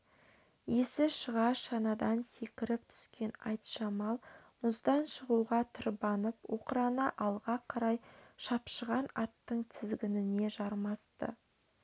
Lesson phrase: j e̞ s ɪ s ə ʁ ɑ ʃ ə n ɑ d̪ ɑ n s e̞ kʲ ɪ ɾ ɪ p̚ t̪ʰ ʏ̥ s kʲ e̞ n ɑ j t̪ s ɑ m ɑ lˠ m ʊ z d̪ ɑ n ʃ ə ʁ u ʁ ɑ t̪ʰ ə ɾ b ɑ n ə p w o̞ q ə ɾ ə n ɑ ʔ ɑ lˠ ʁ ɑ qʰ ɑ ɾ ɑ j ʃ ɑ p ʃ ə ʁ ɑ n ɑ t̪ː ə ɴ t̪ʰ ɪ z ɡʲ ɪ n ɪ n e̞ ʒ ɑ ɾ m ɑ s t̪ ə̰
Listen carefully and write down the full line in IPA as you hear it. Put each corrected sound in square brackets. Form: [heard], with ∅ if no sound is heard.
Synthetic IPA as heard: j e̞ s ɪ [ʃ] ə ʁ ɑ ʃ [ɑ] n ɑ d̪ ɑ n s e̞ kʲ ɪ ɾ ɪ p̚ t̪ʰ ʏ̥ s kʲ e̞ n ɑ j t̪ [ʃ] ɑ m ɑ lˠ m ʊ z d̪ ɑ n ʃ ə ʁ u ʁ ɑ t̪ʰ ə ɾ b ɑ n ə p w o̞ q ə ɾ [ɑ] n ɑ ʔ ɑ lˠ ʁ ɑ qʰ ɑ ɾ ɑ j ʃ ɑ p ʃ ə ʁ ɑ n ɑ t̪ː ə ɴ t̪ʰ ɪ z ɡʲ ɪ n ɪ n e̞ ʒ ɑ ɾ m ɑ s t̪ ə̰